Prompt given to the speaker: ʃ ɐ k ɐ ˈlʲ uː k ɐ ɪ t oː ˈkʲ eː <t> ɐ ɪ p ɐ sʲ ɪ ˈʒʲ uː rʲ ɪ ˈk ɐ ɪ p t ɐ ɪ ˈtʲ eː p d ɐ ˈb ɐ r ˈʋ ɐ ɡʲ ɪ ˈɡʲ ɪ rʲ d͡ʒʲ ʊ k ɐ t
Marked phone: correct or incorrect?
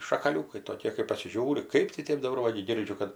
incorrect